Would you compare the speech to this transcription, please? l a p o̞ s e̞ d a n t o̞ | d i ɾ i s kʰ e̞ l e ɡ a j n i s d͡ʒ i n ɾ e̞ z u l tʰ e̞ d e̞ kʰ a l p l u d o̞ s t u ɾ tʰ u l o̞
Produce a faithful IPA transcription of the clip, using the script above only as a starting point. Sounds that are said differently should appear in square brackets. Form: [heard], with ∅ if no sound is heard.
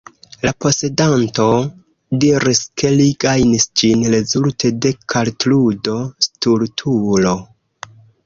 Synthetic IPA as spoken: l a p o̞ s e̞ d a n t o̞ | d i ɾ i s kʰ e̞ l [i] ɡ a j n i s d͡ʒ i n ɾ e̞ z u l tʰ e̞ d e̞ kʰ a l [t] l u d o̞ s t u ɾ tʰ u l o̞